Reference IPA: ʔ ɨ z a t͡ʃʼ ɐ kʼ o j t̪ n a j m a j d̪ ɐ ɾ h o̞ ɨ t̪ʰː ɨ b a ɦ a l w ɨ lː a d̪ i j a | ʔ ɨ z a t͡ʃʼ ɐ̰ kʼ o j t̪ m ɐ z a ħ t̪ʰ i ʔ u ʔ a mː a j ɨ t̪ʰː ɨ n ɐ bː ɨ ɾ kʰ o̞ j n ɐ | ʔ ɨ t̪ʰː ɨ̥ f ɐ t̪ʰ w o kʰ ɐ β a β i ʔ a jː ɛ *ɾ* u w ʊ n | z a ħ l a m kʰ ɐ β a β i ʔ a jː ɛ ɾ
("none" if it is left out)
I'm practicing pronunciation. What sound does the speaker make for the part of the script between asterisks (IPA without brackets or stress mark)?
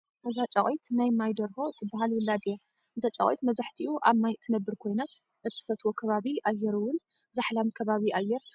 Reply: ɾ